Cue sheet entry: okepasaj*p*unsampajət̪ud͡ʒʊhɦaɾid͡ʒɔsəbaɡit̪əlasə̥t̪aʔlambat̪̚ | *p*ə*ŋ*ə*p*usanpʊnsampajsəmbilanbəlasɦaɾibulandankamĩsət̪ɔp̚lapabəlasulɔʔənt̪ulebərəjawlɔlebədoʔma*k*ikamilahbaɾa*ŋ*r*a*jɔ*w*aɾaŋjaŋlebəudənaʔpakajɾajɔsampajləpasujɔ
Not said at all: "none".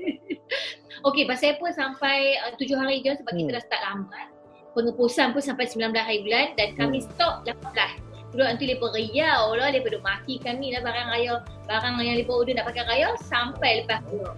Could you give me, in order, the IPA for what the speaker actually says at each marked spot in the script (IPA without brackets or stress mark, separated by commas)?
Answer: p, p, ŋ, p, k, ŋ, a, b